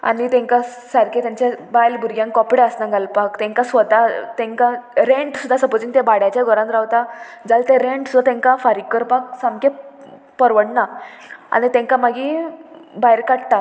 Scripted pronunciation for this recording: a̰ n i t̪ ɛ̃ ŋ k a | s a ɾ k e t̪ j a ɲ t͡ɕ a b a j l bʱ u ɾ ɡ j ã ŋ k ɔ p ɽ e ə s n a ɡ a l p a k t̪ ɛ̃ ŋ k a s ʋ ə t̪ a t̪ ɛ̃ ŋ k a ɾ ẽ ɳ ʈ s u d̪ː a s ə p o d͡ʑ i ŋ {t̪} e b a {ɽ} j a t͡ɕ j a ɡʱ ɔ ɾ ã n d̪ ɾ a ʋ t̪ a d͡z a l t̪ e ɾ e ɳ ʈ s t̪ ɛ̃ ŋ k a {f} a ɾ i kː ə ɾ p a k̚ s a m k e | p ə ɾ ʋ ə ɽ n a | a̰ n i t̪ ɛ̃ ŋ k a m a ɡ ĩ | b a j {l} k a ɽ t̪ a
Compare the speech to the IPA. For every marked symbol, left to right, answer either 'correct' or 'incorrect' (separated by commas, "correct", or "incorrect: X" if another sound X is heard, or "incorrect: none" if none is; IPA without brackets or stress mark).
correct, correct, correct, incorrect: ɾ